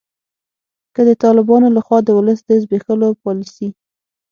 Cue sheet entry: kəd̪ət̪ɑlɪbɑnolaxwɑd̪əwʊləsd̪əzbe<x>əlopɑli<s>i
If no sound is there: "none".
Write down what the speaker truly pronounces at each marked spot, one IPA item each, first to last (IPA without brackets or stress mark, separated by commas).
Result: x, s